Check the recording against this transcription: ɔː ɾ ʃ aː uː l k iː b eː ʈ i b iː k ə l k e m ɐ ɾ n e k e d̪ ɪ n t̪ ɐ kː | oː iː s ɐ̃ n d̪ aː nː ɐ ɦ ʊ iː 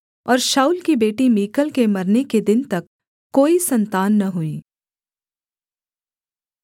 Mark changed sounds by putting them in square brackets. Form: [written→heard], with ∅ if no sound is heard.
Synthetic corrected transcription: ɔː ɾ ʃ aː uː l k [iː→i] b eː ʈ i [b→m] iː k ə l k e m ɐ ɾ n e k e d̪ ɪ n t̪ ɐ kː | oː [iː→i] s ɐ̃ n [d̪→t̪] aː nː ɐ ɦ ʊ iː